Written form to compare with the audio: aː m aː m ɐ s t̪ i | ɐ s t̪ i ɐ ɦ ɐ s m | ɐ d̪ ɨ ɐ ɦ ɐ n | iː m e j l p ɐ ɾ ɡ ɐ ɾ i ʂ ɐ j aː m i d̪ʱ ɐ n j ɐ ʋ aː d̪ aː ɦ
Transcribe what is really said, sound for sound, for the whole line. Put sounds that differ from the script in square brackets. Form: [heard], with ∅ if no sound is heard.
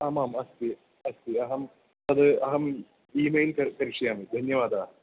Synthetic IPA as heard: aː m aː m ɐ s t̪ i | ɐ s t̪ i ɐ ɦ ɐ [∅] m | ɐ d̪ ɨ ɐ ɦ ɐ [m] | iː m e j l [k] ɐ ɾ [k] ɐ ɾ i ʂ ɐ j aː m i d̪ʱ ɐ n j ɐ ʋ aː d̪ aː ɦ